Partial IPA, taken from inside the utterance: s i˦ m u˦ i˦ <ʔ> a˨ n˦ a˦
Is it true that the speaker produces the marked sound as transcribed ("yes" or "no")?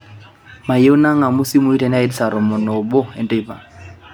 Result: no